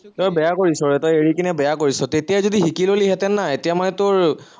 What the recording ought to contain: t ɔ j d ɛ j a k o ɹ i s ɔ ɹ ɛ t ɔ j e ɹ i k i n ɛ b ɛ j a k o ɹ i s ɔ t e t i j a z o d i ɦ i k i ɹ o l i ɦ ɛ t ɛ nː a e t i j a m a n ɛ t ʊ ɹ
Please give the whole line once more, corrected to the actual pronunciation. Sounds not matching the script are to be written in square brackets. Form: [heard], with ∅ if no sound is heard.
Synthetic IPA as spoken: t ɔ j [b] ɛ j a k o ɹ i s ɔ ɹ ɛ t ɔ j e ɹ i k i n ɛ b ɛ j a k o ɹ i s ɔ t e t i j a z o d i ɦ i k i [l] o l i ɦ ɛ t ɛ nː a e t i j a m a n ɛ t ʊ ɹ